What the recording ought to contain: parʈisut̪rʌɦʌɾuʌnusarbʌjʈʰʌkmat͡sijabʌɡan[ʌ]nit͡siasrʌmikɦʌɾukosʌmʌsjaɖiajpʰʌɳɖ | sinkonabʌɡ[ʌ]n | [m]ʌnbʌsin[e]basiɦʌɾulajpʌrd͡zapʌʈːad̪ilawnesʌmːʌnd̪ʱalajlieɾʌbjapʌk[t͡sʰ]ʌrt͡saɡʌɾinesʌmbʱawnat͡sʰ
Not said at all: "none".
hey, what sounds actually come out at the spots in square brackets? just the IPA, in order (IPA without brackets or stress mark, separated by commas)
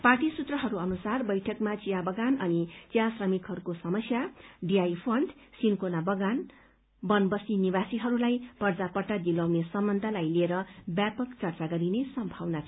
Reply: ʌ, a, b, i, t͡s